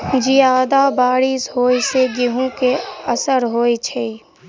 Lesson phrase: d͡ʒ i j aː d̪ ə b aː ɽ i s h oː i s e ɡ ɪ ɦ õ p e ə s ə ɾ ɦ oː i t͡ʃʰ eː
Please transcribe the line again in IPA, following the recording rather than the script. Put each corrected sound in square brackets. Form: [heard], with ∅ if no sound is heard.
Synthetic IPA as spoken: d͡ʒ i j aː d̪ [a] b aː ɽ i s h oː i s e ɡ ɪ ɦ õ [k] e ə s ə ɾ ɦ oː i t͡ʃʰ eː